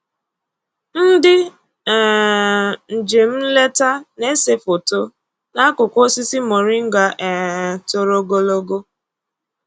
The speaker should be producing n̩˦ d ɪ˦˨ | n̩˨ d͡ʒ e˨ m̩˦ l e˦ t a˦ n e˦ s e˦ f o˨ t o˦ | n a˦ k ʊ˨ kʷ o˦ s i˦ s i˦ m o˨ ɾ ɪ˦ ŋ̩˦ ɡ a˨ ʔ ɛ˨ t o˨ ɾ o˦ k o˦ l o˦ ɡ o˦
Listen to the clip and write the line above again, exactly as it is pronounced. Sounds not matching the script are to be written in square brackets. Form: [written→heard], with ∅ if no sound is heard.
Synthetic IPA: n̩˦ d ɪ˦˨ | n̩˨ d͡ʒ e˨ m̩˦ l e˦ t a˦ n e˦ s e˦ f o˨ t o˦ | n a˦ k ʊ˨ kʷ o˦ s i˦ s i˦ m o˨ ɾ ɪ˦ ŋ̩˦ ɡ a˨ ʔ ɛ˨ t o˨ ɾ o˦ [k→ɡ] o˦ l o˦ ɡ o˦